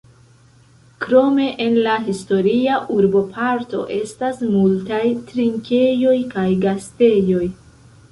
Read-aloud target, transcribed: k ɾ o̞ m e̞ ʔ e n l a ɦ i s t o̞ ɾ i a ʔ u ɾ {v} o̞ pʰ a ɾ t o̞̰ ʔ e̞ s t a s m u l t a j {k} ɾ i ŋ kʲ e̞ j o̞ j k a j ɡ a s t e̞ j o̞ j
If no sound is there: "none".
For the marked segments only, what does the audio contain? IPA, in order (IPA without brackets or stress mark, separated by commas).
b, t